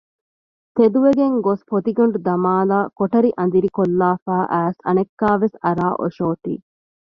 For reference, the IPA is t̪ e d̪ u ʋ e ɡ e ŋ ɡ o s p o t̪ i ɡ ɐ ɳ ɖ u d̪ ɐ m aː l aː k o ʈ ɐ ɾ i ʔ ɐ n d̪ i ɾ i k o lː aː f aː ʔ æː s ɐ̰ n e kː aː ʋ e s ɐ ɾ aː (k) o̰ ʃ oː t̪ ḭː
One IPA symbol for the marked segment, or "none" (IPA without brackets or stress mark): ʔ